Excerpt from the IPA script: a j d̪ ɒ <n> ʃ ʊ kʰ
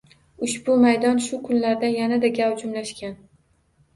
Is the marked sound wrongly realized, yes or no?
no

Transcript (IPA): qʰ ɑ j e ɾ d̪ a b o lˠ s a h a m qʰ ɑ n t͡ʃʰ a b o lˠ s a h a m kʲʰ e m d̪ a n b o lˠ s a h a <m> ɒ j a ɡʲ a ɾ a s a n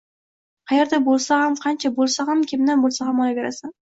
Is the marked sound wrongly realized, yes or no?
no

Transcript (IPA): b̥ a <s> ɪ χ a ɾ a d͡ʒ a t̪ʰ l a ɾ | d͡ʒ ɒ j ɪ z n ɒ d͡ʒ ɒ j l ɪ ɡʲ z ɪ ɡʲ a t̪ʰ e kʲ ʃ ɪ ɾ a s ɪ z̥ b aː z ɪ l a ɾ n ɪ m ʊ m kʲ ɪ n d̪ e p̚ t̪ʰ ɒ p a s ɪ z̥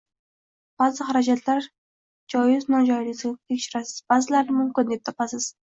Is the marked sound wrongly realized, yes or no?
yes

